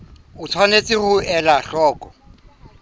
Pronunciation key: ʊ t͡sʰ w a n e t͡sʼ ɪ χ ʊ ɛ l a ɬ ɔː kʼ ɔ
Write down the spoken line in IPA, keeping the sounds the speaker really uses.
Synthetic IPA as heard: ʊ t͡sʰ w a n e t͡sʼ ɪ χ ʊ ɛ l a ɬ ɔː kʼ ɔ